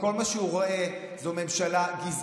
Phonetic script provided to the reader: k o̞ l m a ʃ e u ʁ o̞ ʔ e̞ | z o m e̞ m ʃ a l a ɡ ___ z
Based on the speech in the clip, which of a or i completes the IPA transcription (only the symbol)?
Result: i